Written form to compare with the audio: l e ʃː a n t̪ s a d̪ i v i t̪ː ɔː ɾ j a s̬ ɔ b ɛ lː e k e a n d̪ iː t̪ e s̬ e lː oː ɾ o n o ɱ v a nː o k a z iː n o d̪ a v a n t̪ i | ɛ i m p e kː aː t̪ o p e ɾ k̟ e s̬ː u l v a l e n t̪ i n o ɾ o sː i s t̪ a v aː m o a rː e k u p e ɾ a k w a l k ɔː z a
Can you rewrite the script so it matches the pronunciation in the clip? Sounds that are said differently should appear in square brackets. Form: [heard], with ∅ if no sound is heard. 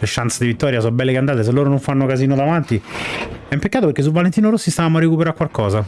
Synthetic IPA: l e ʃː a n t̪ s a d̪ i v i t̪ː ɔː ɾ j a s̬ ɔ b ɛ lː e k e a n d̪ [aː] t̪ e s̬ e lː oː ɾ o n o ɱ [f] a nː o k a z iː n o d̪ a v a n t̪ i | ɛ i m p e kː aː t̪ o p e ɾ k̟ e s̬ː u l v a l e n t̪ i n o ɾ o sː i s t̪ a v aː m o a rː e k u p e ɾ a k w a l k ɔː z a